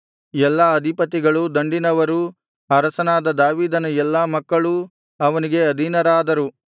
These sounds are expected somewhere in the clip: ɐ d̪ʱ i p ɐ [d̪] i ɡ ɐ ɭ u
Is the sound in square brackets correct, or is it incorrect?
incorrect